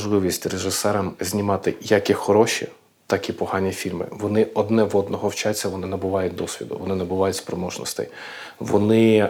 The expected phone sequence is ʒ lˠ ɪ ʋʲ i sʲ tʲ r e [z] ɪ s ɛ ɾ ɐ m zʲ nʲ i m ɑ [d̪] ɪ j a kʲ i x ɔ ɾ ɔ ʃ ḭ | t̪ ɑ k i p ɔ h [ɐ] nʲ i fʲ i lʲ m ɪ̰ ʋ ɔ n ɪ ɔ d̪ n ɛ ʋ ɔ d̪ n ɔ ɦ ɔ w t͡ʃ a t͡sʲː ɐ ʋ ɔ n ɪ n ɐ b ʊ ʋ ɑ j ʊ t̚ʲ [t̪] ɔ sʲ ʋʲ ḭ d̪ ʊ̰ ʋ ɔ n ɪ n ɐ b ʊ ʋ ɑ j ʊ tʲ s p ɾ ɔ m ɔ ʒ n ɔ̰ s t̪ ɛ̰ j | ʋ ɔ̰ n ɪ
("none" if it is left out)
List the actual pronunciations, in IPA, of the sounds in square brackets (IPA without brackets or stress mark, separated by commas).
ʒ, t̪, ɑ, d̪